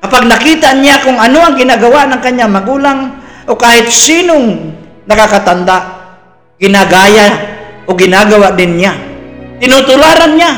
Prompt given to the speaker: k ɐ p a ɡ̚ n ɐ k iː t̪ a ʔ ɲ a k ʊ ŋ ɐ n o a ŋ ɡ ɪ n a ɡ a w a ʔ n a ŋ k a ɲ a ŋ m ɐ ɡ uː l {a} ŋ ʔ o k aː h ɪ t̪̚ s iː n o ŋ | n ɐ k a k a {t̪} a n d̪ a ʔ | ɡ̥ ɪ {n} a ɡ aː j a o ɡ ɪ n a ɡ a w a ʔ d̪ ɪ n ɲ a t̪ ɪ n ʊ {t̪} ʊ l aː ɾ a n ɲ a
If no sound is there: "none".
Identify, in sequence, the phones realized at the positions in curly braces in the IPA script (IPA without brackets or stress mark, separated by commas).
a, t̪, n, t̪